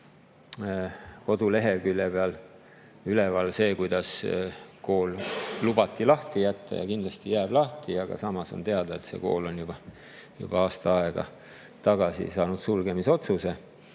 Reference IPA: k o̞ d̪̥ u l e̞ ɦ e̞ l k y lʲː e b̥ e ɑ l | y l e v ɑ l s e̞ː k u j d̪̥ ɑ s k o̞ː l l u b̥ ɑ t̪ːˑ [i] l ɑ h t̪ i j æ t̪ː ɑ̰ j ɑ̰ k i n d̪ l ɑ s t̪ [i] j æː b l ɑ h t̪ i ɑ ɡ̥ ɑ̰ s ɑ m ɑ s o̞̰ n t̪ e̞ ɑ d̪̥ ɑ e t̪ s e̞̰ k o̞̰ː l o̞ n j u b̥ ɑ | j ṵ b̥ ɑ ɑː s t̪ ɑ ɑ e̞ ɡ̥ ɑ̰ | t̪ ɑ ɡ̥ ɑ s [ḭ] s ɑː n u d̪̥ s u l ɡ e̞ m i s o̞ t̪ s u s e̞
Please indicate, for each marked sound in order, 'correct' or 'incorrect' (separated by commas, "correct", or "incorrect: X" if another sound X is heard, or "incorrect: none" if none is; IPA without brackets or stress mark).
correct, correct, correct